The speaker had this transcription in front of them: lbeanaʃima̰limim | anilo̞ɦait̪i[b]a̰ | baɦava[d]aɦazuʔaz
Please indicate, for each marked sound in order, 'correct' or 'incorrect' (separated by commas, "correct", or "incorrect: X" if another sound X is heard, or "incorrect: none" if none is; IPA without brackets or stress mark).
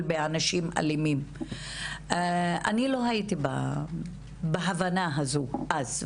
correct, incorrect: n